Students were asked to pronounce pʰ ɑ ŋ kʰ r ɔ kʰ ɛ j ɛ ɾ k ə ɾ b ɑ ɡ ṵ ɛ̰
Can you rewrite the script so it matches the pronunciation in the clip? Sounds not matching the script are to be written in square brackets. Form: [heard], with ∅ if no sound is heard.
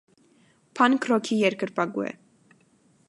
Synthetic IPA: pʰ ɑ [n] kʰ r ɔ kʰ [i] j ɛ ɾ k ə ɾ [p] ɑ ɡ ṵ ɛ̰